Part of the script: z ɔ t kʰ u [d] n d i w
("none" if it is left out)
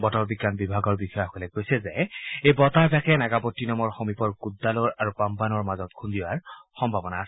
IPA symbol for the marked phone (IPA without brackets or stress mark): none